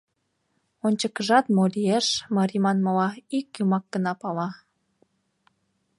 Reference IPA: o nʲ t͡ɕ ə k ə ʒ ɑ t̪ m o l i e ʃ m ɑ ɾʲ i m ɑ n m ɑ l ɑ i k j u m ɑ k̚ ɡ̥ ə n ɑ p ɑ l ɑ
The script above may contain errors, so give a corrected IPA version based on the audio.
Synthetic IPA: o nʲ t͡ɕ ə k ə ʒ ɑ t̪ m o l i e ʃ m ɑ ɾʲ i m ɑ n m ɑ l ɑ i k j u m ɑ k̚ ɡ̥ ə n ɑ p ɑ l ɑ

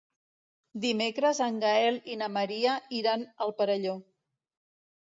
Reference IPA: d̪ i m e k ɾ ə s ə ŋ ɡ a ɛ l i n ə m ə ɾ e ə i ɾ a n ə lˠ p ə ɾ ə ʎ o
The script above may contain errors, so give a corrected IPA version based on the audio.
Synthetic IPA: d̪ i m e k ɾ ə z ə ŋ ɡ a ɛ l i n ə m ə ɾ i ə i ɾ a n ə lˠ p ə ɾ ə ʎ o

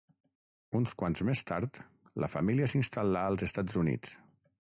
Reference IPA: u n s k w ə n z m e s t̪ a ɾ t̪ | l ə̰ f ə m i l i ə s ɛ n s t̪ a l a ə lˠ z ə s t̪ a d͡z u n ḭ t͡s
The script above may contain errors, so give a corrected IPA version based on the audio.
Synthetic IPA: u n s k w a n z m e s t̪ a ɾ t̪ | l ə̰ f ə m i l i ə s i n s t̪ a l a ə lˠ z ə s t̪ a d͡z u n ḭ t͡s

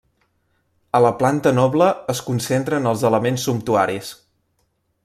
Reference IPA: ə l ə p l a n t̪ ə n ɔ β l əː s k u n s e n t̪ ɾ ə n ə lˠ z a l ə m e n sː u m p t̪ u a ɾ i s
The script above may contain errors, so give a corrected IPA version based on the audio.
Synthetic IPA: ə l ə p l a n t̪ ə n ɔ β l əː s k u n s e n t̪ ɾ ə n ə lˠ z ə l ə m e n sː u m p t̪ u a ɾ i s

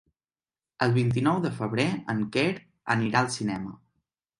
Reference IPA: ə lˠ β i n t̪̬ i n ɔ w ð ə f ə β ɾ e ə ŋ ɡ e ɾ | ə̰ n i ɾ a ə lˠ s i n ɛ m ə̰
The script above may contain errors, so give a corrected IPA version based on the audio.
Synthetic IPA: ə lˠ β i n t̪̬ i n ɔ w ð ə f ə β ɾ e ə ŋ k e ɾ | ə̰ n i ɾ a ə lˠ s i n ɛ m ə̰

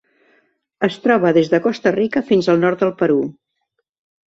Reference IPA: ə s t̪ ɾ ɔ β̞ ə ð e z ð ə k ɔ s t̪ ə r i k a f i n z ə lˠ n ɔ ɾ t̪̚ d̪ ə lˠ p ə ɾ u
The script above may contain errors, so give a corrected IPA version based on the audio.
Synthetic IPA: ə s t̪ ɾ ɔ β̞ ə ð e z ð ə k ɔ s t̪ ə r i k ə f i n z ə lˠ n ɔ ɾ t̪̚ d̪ ə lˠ p ə ɾ u

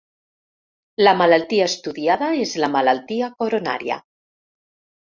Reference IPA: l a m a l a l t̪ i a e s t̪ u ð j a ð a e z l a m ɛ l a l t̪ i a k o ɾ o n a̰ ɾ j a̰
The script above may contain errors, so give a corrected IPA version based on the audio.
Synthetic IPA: l a m a l a l t̪ i a e s t̪ u ð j a ð a e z l a m a l a l t̪ i a k o ɾ o n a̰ ɾ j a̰

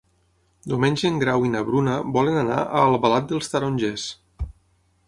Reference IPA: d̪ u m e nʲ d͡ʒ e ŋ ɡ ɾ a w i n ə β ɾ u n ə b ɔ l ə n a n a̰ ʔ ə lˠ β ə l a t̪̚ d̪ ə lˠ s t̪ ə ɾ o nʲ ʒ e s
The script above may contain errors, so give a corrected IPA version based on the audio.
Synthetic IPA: d̪ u m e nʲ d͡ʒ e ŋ ɡ ɾ a w i n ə β ɾ u n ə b ɔ l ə n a n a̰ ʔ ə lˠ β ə l a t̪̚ d̪ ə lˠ s t̪ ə ɾ o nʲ ʒ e s

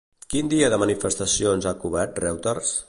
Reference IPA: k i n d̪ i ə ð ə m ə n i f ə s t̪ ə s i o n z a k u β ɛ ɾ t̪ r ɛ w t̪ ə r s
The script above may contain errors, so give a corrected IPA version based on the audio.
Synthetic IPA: k i n d̪ i ə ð ə m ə n i f ə s t̪ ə s i o n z a k u β ɛ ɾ t̪ r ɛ w t̪ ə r s

